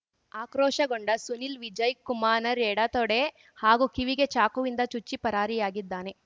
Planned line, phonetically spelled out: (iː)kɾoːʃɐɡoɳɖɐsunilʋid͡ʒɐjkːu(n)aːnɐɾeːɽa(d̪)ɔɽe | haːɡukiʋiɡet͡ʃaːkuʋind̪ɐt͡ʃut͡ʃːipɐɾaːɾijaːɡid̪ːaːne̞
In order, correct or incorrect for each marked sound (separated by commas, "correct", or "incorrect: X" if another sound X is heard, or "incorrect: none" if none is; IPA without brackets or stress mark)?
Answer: incorrect: aː, incorrect: m, incorrect: t̪